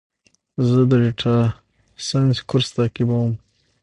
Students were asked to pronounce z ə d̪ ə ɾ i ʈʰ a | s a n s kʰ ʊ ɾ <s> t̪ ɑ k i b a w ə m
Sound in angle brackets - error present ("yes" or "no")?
no